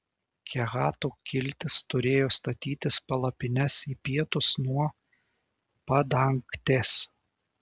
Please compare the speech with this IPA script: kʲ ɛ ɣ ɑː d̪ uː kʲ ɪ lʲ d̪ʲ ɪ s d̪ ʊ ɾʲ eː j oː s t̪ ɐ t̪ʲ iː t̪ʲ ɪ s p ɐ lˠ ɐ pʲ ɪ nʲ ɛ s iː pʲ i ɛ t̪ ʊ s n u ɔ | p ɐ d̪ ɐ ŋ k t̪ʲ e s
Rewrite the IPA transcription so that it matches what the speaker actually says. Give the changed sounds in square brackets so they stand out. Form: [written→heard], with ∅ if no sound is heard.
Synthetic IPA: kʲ ɛ ɣ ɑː [d̪→t̪] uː kʲ ɪ lʲ [d̪ʲ→t̪ʲ] ɪ s [d̪→t̪] ʊ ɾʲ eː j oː s t̪ ɐ t̪ʲ iː t̪ʲ ɪ s p ɐ lˠ ɐ pʲ ɪ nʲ ɛ s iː pʲ i ɛ t̪ ʊ s n u ɔ | p ɐ d̪ ɐ ŋ k t̪ʲ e s